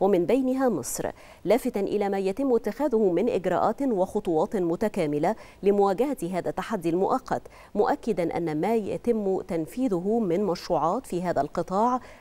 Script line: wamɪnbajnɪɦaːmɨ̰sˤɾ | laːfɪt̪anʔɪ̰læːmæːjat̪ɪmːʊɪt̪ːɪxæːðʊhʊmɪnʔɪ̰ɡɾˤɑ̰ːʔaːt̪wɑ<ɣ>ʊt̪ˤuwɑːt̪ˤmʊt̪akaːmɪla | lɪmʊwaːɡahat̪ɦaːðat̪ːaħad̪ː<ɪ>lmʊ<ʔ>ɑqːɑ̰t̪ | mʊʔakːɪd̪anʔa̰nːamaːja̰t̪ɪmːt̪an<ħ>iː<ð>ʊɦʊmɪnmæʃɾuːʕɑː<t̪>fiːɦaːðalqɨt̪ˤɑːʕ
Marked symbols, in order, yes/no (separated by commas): no, no, yes, no, yes, yes